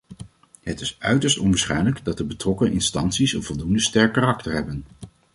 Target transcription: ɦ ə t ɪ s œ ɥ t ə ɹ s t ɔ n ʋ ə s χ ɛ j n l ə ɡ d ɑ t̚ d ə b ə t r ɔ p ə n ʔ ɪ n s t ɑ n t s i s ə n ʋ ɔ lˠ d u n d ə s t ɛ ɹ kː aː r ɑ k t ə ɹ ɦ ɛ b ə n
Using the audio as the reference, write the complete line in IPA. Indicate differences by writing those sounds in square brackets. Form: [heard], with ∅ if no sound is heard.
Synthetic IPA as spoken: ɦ ə t ɪ s œ ɥ t ə ɹ s t ɔ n ʋ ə s χ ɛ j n l ə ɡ d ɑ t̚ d ə b ə t r ɔ [k] ə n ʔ ɪ n s t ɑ n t s i s ə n [v] ɔ lˠ d u n d ə s t ɛ ɹ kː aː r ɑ k t ə ɹ ɦ ɛ b ə n